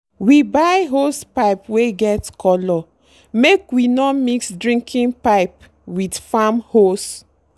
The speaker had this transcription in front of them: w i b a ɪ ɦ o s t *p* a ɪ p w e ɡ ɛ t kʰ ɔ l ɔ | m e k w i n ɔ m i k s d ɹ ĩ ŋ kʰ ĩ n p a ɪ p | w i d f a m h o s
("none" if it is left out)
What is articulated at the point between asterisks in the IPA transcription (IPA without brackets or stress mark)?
p